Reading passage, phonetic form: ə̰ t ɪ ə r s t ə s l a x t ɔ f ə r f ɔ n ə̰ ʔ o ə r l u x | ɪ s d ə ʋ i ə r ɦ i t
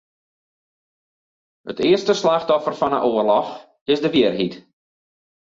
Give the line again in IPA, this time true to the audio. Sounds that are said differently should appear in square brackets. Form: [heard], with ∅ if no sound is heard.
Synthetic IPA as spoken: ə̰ t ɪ ə r s t ə s l a x t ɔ f ə r f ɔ n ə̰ ʔ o ə r l [ɔ] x | ɪ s d ə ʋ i ə r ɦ i t